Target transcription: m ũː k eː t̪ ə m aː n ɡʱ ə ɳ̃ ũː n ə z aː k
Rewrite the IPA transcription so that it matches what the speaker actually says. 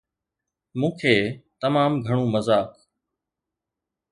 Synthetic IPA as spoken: m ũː kʰ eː t̪ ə m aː m ɡʱ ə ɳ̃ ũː m ə z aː k